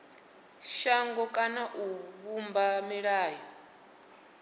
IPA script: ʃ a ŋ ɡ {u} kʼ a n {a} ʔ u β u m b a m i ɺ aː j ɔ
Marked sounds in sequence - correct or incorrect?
incorrect, correct

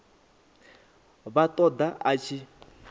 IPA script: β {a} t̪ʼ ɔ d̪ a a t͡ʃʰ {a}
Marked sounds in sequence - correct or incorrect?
correct, incorrect

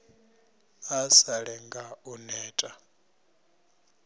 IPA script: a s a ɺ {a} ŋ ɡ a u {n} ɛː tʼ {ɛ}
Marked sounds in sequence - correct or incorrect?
incorrect, correct, incorrect

